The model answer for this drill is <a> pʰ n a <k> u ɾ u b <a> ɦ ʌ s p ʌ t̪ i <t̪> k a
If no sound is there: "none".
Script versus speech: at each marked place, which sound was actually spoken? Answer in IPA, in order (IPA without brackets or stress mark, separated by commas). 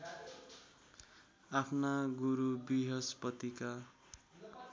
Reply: a, ɡ, i, none